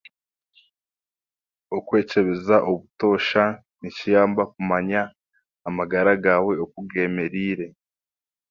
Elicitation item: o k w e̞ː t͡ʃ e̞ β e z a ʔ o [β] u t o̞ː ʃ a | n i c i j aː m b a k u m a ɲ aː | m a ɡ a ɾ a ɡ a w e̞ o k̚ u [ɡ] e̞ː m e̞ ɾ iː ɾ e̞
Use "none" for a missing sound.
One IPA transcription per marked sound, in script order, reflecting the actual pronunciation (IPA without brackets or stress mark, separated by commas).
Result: β, ɡ